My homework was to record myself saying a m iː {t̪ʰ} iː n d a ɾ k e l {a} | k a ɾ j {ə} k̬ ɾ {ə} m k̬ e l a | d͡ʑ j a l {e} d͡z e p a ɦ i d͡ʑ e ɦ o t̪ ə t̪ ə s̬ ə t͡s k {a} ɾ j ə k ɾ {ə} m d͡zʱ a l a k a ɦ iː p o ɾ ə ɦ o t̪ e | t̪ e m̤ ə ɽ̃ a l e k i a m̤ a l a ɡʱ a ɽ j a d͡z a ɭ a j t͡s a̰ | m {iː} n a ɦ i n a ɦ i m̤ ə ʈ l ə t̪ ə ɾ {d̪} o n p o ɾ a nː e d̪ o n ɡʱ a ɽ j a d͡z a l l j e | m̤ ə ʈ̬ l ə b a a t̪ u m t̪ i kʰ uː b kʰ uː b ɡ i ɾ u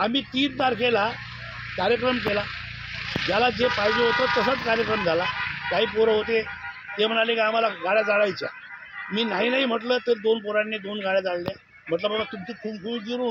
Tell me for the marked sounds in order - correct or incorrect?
incorrect: t̪, correct, correct, correct, incorrect: a, correct, correct, correct, correct

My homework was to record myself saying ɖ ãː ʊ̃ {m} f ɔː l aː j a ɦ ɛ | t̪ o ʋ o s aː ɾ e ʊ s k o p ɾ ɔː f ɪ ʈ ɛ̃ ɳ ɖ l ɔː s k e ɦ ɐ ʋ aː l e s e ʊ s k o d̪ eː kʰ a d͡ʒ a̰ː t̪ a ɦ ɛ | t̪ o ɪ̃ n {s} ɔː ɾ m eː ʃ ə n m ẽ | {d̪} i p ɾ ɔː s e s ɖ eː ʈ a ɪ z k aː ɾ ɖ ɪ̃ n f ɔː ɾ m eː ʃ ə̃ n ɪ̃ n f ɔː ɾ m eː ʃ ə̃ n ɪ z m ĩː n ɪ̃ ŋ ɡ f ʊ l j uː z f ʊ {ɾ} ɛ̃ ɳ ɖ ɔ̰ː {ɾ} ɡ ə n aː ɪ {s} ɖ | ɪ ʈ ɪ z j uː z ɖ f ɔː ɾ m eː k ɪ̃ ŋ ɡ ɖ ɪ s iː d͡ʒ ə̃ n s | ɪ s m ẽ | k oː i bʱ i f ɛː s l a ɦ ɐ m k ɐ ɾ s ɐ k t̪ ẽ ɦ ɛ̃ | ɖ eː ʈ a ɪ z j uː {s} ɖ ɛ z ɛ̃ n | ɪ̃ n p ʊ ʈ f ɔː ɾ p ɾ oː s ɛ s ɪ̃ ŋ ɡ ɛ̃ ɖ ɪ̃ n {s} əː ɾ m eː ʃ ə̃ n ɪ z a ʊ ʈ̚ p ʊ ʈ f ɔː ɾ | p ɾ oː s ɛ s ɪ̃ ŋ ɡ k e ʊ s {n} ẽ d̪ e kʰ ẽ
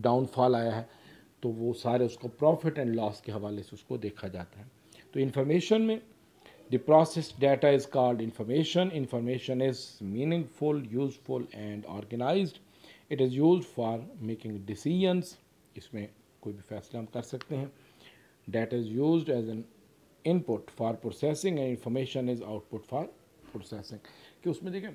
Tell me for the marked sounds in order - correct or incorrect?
incorrect: n, incorrect: f, correct, incorrect: l, correct, incorrect: z, incorrect: z, incorrect: f, incorrect: m

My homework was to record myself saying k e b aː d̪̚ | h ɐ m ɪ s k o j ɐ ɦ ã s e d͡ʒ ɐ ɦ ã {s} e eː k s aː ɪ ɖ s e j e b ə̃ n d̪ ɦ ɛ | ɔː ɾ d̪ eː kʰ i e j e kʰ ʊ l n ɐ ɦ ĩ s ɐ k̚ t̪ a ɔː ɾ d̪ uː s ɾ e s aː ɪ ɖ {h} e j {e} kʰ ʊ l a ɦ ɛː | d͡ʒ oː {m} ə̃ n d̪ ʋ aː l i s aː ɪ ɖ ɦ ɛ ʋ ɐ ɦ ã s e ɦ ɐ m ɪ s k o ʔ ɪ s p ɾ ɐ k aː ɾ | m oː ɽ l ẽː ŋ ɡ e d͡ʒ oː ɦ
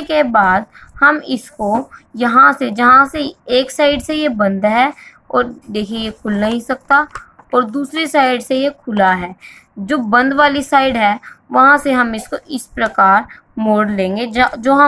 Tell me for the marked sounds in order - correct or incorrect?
correct, incorrect: s, correct, incorrect: b

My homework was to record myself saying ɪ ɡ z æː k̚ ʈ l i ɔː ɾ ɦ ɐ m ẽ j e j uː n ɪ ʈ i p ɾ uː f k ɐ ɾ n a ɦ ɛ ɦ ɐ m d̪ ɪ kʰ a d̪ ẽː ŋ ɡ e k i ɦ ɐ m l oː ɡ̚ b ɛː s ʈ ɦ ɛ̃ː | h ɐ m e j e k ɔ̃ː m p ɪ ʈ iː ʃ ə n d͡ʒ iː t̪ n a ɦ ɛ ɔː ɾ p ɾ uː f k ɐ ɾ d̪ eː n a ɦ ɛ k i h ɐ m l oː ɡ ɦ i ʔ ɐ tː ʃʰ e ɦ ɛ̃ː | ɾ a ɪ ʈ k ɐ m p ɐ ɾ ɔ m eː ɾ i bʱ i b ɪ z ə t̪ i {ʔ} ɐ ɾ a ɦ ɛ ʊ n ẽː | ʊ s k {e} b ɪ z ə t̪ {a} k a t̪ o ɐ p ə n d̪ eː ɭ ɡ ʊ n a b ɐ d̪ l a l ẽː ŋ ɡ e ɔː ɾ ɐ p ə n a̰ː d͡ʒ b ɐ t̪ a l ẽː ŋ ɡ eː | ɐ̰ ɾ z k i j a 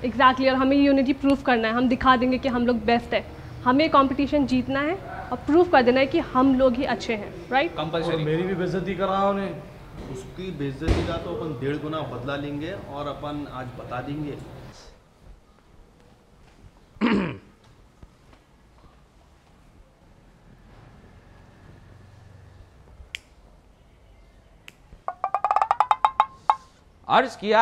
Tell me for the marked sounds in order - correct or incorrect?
incorrect: k, incorrect: i, incorrect: i

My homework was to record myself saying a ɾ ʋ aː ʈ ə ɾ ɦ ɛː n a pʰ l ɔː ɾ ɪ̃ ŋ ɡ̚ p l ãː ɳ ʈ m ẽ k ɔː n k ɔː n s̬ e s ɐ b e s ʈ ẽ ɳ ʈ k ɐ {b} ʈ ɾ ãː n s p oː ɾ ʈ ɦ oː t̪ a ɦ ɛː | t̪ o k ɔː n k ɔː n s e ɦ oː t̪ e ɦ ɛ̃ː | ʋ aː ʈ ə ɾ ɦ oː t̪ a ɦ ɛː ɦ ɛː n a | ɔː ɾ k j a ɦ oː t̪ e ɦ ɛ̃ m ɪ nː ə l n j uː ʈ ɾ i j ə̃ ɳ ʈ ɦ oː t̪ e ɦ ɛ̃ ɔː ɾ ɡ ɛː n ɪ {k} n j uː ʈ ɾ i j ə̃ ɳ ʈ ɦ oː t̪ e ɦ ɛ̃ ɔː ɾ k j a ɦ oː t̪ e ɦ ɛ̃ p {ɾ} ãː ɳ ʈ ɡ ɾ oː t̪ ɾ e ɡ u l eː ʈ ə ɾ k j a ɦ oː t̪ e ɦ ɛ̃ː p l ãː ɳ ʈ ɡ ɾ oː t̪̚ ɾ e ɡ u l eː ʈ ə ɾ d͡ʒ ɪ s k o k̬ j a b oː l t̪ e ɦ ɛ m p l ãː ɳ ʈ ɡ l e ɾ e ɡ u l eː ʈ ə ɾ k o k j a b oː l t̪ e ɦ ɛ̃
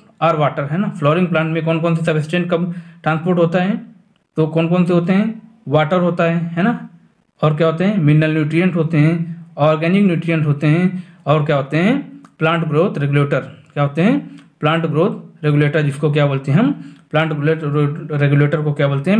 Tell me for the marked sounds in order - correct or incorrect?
correct, correct, incorrect: l

